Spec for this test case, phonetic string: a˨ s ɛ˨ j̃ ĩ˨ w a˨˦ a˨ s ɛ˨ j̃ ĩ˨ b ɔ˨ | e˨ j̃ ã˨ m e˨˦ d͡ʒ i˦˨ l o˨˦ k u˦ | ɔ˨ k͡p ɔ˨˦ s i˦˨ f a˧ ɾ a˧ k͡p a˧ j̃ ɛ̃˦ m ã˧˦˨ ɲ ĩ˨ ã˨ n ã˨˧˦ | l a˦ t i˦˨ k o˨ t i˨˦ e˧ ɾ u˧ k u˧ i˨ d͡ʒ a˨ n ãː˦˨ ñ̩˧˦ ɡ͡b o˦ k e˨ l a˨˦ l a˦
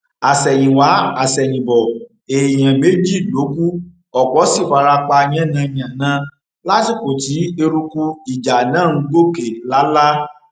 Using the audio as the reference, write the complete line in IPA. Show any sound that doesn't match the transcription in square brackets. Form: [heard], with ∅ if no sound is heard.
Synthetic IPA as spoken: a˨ s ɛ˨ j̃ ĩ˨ w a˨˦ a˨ s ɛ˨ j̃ ĩ˨ b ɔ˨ | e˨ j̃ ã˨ m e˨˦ d͡ʒ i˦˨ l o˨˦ k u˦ | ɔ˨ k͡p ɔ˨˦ s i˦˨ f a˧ ɾ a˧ k͡p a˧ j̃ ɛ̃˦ [n] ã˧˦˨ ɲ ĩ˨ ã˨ n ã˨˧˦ | l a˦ t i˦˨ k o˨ t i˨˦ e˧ ɾ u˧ k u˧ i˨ d͡ʒ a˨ n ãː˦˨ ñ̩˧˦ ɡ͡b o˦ k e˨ l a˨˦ l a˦